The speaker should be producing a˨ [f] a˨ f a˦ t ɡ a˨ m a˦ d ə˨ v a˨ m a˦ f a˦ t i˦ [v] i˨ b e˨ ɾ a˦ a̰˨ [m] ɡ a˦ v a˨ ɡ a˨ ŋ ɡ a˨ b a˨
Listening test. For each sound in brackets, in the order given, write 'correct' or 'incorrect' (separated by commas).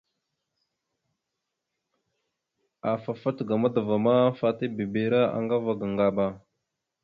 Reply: correct, incorrect, incorrect